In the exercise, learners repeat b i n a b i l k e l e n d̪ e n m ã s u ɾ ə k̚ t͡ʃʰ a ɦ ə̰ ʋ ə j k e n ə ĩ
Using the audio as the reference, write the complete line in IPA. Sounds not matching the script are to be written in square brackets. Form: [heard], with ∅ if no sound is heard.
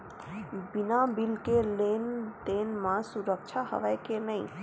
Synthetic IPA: b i n a b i l k e l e n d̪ e n m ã s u ɾ ə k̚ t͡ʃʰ a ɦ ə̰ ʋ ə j k e n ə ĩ